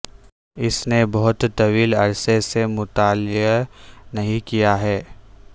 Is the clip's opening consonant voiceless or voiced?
voiceless